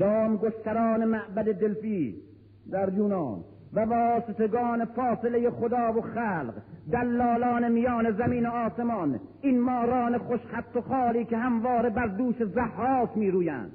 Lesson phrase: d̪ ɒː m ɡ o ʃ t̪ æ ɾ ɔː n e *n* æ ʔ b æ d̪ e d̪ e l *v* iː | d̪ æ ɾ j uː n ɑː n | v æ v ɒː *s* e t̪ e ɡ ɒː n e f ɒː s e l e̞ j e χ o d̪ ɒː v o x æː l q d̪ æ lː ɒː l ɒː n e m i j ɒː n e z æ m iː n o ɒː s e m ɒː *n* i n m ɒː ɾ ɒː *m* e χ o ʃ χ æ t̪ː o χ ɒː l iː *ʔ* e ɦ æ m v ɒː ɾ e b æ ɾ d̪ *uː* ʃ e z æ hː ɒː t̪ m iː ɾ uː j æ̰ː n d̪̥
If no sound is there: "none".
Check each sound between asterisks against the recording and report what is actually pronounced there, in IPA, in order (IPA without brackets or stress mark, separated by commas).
m, f, s, n, n, k, uː